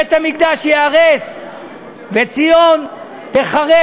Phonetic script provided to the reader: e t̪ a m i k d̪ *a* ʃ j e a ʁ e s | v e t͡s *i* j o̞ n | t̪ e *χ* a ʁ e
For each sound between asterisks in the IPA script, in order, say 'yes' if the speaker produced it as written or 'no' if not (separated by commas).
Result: yes, yes, yes